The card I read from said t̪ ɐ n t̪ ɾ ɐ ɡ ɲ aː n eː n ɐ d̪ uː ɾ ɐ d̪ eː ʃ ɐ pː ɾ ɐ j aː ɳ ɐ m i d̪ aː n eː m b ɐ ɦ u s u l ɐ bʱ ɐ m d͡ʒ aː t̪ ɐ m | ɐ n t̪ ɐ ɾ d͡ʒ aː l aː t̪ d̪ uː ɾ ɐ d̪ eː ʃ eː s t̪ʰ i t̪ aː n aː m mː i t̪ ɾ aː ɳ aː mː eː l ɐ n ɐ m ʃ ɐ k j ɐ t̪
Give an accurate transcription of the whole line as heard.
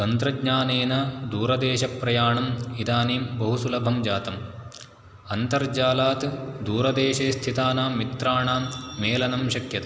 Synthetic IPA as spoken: t̪ ɐ n t̪ ɾ ɐ ɡ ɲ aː n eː n ɐ d̪ uː ɾ ɐ d̪ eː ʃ ɐ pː ɾ ɐ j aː ɳ ɐ m i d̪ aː n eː m b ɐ ɦ u s u l ɐ bʱ ɐ m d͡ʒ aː t̪ ɐ m | ɐ n t̪ ɐ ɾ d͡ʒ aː l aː t̪ d̪ uː ɾ ɐ d̪ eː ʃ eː s t̪ʰ i t̪ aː n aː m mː i t̪ ɾ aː ɳ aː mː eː l ɐ n ɐ m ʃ ɐ k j ɐ t̪